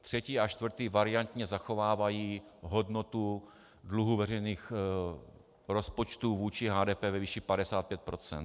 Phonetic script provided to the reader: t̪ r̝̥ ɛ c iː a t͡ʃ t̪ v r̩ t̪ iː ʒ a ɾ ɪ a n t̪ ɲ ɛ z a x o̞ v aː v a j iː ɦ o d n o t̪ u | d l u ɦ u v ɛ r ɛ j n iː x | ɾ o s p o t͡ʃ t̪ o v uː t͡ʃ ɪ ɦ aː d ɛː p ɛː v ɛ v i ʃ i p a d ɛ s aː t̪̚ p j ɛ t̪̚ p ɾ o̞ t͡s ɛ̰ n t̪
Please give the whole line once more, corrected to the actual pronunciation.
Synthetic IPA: t̪ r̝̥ ɛ c iː a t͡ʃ t̪ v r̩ t̪ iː v a ɾ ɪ a n t̪ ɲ ɛ z a x o̞ v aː v a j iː ɦ o d n o t̪ u | d l u ɦ u v ɛ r ɛ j n iː x | ɾ o s p o t͡ʃ t̪ u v uː t͡ʃ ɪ ɦ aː d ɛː p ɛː v ɛ v i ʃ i p a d ɛ s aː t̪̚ p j ɛ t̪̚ p ɾ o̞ t͡s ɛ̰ n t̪